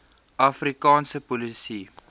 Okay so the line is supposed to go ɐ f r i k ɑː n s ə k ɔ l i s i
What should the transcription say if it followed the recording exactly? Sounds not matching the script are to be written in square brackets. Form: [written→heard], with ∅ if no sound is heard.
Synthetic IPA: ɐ f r i k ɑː n s ə [k→p] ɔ l i s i